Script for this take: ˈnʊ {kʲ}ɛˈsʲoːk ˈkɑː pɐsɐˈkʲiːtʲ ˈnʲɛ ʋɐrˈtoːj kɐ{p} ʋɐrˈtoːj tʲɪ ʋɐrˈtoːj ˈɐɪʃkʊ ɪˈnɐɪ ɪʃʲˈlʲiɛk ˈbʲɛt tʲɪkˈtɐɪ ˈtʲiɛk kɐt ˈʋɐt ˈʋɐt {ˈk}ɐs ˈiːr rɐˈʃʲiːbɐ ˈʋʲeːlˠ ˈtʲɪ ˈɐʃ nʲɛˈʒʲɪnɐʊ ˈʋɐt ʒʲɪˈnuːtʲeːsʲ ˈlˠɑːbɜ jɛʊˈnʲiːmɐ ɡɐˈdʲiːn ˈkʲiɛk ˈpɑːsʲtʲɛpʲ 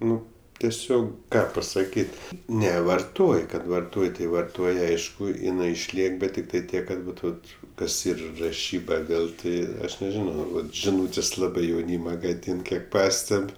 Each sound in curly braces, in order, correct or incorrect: incorrect, incorrect, correct

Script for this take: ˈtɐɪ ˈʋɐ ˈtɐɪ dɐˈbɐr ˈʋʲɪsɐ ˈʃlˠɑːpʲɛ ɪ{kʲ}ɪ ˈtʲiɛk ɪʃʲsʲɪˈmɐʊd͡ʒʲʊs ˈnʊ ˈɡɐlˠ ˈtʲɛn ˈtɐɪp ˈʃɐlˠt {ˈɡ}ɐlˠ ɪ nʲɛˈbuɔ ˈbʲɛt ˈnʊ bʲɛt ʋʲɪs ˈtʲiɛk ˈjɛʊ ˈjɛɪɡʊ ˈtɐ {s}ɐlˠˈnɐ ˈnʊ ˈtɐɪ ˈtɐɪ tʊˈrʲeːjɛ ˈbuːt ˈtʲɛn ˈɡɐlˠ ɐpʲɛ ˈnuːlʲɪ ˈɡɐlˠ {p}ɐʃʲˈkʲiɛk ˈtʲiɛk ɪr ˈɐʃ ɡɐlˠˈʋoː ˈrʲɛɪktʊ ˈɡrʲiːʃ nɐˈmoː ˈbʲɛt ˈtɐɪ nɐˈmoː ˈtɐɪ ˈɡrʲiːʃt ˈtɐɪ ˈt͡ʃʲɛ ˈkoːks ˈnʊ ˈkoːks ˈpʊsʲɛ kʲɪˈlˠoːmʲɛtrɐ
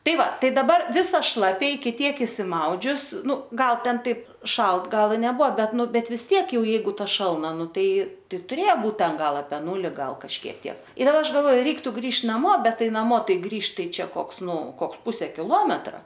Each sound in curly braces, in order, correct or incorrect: correct, correct, incorrect, incorrect

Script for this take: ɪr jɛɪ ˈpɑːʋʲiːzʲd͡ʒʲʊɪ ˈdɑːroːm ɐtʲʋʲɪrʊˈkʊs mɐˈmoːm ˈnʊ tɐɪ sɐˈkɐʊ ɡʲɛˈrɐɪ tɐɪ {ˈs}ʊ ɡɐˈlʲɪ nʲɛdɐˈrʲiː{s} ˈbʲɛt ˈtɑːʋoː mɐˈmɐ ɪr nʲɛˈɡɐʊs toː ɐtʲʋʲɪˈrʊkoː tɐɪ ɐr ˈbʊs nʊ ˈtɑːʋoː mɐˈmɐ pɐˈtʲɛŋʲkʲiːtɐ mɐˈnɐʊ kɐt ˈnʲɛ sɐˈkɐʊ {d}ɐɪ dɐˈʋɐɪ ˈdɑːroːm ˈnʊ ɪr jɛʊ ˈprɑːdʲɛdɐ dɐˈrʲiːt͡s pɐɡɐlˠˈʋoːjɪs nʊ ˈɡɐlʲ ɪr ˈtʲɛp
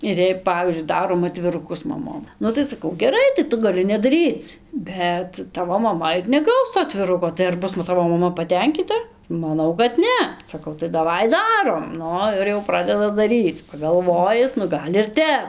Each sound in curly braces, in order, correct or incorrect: incorrect, incorrect, incorrect

